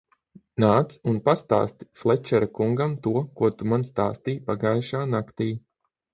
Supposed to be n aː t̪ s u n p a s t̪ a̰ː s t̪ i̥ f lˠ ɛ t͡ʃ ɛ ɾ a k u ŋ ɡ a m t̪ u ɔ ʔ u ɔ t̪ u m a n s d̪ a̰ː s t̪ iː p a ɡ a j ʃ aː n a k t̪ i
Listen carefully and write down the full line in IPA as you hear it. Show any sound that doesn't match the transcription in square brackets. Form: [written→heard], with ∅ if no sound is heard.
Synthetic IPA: n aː t̪ s u n p a s t̪ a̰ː s t̪ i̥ f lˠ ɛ t͡ʃ ɛ ɾ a k u ŋ ɡ a m t̪ u ɔ [ʔ→k] u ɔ t̪ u m a n s [d̪→t̪] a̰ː s t̪ iː p a ɡ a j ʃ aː n a k t̪ [i→iː]